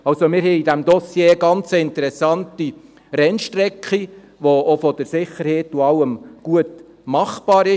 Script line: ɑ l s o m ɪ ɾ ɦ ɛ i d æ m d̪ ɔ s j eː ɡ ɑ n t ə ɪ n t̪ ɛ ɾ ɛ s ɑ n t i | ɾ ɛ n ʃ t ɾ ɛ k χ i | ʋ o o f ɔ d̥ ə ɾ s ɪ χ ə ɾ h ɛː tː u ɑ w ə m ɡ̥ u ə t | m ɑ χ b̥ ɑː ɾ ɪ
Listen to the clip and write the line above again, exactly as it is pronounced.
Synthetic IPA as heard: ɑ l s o m ɪ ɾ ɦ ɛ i d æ m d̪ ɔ s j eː ɡ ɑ n t͡s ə ɪ n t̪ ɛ ɾ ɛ s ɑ n t i | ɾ ɛ n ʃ t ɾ ɛ k χ i | ʋ o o f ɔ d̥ ə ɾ s ɪ χ ə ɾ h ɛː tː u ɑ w ə m ɡ̥ u ə t | m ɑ χ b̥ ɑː ɾ ɪ